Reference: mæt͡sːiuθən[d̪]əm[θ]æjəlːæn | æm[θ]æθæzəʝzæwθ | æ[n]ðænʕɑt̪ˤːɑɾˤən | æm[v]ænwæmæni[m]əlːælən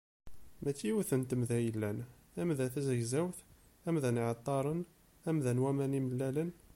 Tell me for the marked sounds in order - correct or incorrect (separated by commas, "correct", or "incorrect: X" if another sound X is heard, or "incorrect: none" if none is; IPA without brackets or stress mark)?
incorrect: t̪, incorrect: ð, incorrect: ð, incorrect: m, incorrect: ð, correct